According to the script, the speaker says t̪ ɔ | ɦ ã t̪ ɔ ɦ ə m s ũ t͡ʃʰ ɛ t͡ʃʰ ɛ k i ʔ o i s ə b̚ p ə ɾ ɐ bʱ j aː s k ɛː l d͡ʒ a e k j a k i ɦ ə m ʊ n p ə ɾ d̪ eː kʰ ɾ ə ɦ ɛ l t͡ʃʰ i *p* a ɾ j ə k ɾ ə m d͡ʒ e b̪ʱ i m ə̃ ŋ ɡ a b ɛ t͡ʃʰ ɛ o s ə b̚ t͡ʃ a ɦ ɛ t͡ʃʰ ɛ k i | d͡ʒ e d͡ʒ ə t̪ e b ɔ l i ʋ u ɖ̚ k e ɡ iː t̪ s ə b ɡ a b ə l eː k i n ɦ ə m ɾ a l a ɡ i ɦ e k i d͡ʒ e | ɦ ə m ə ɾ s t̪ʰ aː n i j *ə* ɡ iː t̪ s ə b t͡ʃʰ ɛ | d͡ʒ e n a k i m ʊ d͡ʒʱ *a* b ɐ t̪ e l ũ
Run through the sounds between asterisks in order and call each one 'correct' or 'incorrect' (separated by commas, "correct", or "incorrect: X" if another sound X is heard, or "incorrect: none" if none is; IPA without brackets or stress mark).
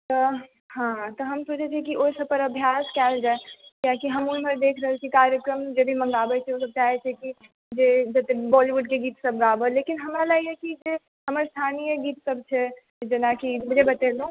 incorrect: k, correct, incorrect: e